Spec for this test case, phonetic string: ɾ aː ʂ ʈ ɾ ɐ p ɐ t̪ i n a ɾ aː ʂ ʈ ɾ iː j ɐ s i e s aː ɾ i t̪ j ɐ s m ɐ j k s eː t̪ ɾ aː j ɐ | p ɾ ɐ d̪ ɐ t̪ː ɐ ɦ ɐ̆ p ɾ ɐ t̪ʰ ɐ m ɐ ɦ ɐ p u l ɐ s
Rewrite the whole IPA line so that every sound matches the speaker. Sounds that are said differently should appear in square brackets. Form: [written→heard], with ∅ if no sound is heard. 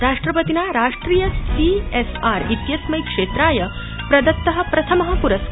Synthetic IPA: ɾ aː ʂ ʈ ɾ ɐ p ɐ t̪ i n a ɾ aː ʂ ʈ ɾ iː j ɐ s i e s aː ɾ i t̪ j ɐ s m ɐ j k [s→ʂ] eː t̪ ɾ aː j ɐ | p ɾ ɐ d̪ ɐ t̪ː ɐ ɦ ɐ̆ p ɾ ɐ t̪ʰ ɐ m ɐ ɦ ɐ p u [l→ɾ] ɐ s